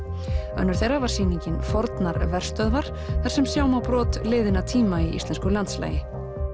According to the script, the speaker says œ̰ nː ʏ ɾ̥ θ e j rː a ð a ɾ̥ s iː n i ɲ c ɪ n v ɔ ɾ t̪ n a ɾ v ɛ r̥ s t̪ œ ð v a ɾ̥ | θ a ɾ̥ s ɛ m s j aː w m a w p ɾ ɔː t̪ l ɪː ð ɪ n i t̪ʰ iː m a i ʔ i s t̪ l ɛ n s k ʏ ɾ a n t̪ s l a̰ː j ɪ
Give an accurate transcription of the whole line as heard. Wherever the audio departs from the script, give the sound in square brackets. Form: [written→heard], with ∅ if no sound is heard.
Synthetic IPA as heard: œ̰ nː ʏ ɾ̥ θ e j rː a [ð→v] a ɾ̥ s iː n i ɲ c ɪ n [v→f] ɔ ɾ t̪ n a ɾ v ɛ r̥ s t̪ œ ð v a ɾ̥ | θ a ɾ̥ s ɛ m s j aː w m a w p ɾ ɔː t̪ l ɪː ð ɪ n [i→a] t̪ʰ iː m a i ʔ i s t̪ l ɛ n s k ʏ [ɾ→l] a n t̪ s l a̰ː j ɪ